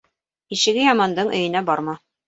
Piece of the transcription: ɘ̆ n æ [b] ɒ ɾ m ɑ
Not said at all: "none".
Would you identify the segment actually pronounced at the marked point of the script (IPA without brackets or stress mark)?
b